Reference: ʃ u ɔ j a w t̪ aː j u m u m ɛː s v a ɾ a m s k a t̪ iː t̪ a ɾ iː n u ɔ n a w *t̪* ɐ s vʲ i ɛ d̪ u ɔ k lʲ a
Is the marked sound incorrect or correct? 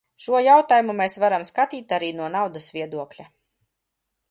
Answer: incorrect